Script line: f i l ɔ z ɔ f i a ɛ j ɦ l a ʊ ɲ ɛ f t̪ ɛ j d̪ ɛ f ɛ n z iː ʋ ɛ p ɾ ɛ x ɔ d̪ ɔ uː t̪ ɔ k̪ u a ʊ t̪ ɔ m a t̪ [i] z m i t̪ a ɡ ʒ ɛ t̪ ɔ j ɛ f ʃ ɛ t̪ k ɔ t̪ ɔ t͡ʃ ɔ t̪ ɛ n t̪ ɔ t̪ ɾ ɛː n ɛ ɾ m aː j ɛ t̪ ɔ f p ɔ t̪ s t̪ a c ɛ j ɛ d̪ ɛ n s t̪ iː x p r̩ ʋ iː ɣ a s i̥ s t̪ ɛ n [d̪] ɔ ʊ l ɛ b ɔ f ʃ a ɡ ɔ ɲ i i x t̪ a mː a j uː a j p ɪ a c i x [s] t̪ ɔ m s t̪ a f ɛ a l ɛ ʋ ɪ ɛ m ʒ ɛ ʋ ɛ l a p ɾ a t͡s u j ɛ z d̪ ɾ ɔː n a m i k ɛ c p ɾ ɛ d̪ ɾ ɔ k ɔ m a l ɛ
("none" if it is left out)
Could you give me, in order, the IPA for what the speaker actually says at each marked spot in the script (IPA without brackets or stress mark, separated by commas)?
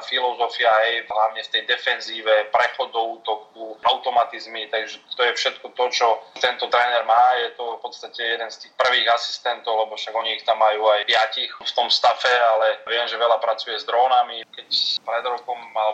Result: i, t̪, f